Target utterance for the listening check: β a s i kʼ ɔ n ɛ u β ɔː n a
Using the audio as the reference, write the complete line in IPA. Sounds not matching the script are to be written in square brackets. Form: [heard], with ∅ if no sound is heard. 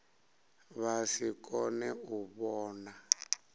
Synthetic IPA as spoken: β a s i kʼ ɔ n ɛ u β ɔː n a